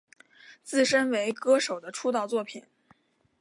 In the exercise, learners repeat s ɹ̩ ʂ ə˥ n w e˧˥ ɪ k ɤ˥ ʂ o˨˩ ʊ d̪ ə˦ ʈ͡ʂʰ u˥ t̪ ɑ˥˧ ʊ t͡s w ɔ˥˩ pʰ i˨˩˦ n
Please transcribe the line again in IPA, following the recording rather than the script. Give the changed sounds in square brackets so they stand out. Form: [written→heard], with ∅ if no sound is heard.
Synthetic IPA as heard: [s→t͡s] ɹ̩ ʂ ə˥ n w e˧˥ ɪ k ɤ˥ ʂ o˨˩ ʊ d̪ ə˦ ʈ͡ʂʰ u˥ t̪ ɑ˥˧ ʊ t͡s w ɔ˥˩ pʰ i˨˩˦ n